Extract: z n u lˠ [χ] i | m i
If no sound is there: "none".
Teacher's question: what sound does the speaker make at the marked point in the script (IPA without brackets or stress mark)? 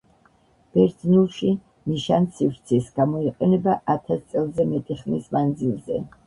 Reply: ʃ